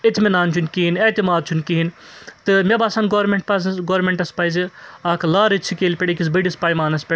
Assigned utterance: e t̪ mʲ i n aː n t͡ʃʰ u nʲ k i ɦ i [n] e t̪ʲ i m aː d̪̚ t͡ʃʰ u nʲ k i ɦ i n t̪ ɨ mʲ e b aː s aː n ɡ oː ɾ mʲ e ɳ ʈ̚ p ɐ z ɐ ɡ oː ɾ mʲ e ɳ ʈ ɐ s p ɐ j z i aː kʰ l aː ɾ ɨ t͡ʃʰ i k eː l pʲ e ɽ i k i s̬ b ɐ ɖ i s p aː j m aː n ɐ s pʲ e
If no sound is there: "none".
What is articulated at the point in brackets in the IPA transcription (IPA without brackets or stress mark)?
n